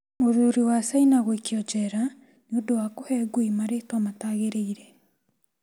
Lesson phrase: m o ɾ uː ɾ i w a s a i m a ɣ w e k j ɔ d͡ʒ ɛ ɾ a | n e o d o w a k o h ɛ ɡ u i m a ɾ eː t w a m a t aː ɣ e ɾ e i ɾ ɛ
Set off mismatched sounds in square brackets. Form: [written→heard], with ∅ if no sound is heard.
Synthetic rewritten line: m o ɾ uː ɾ i w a s a i [m→n] a ɣ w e k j ɔ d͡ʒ ɛ ɾ a | n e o d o w a k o h ɛ ɡ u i m a ɾ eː t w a m a t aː ɣ e ɾ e i ɾ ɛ

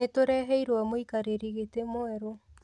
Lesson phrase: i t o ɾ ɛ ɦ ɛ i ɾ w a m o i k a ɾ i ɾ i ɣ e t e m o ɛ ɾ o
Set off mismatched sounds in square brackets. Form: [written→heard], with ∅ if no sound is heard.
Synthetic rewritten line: [i→e] t o ɾ ɛ ɦ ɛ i ɾ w a m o i k a ɾ [i→e] ɾ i ɣ e t e m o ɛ ɾ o

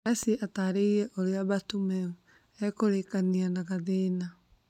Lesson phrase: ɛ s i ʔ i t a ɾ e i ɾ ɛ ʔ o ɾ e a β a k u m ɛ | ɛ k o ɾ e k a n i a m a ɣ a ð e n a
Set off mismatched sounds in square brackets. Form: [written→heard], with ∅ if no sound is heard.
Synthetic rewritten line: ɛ s i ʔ [i→a] t a ɾ e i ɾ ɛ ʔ o ɾ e a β a [k→t] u m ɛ | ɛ k o ɾ e k a n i a [m→n] a ɣ a ð e n a

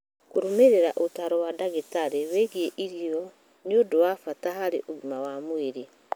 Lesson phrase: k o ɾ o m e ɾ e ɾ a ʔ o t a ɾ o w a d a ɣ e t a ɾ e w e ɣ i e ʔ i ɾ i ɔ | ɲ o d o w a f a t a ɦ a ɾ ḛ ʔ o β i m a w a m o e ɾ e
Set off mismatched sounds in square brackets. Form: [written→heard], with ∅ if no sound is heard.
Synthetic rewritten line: k o ɾ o m e ɾ e ɾ a ʔ o t a ɾ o w a d a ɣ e t a ɾ e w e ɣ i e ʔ i ɾ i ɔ | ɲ o d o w a f a t a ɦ a ɾ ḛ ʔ o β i m a w a m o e ɾ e

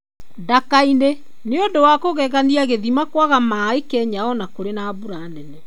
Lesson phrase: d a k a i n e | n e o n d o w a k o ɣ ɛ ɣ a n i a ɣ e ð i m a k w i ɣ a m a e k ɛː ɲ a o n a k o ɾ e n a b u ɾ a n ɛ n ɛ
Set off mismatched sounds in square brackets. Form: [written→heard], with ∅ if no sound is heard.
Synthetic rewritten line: d a k a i n e | n e o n d o w a k o ɣ ɛ ɣ a n i a ɣ e ð i m a k w [i→a] ɣ a m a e k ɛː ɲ a [o→ɔ] n a k o ɾ e n a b u ɾ a n ɛ n ɛ

